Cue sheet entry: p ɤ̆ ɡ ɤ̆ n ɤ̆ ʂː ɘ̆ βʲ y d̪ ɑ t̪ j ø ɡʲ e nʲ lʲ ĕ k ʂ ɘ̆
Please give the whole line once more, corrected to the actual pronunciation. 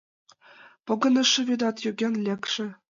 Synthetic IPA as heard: p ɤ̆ ɡ ɤ̆ n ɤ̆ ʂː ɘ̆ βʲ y d̪ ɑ t̪ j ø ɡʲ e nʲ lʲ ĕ k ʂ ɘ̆